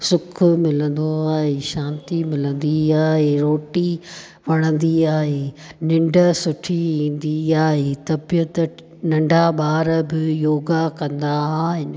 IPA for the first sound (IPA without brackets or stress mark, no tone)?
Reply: s